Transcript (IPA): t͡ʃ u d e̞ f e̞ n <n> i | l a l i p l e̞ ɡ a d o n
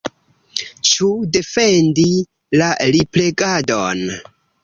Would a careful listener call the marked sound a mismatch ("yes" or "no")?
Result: yes